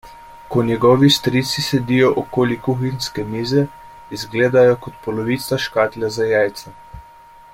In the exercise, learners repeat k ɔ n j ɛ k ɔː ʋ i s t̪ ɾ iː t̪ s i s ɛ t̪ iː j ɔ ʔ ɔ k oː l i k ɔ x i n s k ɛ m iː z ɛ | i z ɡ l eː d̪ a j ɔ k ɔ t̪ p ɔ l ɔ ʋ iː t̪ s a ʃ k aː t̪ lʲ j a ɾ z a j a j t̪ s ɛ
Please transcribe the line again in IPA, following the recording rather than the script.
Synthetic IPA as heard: k ɔ n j ɛ ɡ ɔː ʋ i s t̪ ɾ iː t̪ s i s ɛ d̪ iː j ɔ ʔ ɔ k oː l i k u x i n s k ɛ m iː z ɛ | i z ɡ l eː d̪ a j ɔ k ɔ t̪ p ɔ l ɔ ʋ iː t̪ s a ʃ k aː t̪ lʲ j a z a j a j t̪ s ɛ

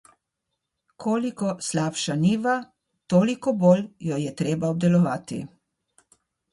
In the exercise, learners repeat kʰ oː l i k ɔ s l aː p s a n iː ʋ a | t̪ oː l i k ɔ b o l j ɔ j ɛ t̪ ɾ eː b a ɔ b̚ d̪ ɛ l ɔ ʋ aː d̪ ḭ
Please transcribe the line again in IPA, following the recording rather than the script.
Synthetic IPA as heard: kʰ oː l i k ɔ s l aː p ʃ a n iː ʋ a | t̪ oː l i k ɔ b o l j ɔ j ɛ t̪ ɾ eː b a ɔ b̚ d̪ ɛ l ɔ ʋ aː t̪ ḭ

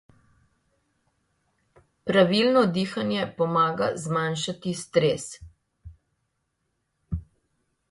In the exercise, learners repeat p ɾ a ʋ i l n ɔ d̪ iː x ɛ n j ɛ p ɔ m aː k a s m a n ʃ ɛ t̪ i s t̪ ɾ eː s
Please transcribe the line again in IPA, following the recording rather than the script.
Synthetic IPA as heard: p ɾ a ʋ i l n ɔ d̪ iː x a n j ɛ p ɔ m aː ɡ a z m a n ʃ a t̪ i s t̪ ɾ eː s

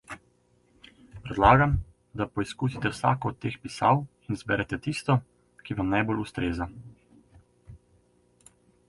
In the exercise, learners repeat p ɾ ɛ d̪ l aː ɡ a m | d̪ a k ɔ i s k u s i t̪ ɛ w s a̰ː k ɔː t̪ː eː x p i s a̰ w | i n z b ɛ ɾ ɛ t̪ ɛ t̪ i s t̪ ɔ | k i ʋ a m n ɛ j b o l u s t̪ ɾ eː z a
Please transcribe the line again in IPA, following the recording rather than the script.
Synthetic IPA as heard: p ɾ ɛ d̪ l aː ɡ a m | d̪ a p ɔ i s k u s i t̪ ɛ w s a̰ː k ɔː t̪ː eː x p i s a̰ w | i n z b ɛ ɾ ɛ t̪ ɛ t̪ i s t̪ ɔ | k i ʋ a m n a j b o l u s t̪ ɾ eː z a

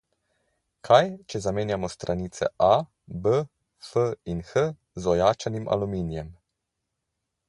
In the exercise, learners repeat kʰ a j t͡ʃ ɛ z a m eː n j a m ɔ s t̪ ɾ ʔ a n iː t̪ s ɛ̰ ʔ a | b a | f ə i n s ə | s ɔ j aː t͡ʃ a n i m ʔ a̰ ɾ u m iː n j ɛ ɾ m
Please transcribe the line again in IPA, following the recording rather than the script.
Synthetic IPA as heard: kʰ a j t͡ʃ ɛ z a m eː n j a m ɔ s t̪ ɾ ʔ a n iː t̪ s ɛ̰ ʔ a | b ə | f ə i n x ə | z ɔ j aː t͡ʃ a n i m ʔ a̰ l u m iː n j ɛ m

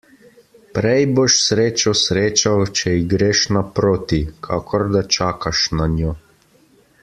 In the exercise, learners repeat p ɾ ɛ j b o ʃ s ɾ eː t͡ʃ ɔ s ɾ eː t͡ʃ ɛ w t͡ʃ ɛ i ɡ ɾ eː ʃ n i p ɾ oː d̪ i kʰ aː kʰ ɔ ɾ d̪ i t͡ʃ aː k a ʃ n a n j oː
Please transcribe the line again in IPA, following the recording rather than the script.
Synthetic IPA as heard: p ɾ ɛ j b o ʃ s ɾ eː t͡ʃ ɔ s ɾ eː t͡ʃ a w t͡ʃ ɛ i ɡ ɾ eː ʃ n a p ɾ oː t̪ i kʰ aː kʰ ɔ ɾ d̪ a t͡ʃ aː k a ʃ n a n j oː

